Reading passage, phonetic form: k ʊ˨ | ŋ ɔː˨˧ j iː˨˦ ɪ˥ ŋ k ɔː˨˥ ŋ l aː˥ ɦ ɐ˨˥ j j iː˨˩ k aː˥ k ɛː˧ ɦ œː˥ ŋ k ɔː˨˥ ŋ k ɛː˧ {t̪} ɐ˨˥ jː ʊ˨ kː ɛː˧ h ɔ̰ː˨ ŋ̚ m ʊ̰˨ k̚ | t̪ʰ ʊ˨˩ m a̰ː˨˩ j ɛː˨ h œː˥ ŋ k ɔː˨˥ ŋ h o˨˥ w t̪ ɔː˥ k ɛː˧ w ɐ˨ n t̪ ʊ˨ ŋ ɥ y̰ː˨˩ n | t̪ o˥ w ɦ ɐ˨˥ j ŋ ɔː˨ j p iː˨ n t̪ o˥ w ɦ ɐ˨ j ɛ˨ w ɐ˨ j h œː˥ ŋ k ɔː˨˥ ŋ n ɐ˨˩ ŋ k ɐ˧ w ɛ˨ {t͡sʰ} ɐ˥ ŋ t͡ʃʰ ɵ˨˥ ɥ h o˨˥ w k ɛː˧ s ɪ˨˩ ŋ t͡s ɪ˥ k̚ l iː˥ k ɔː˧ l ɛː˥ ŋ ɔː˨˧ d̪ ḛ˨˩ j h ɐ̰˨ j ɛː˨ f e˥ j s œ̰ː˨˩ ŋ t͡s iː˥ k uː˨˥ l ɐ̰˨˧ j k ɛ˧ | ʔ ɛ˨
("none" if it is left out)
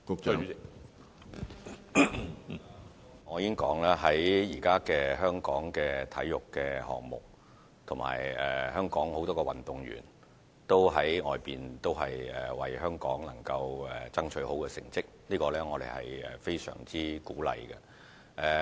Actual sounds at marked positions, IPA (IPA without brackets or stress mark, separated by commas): t̪ʰ, t͡s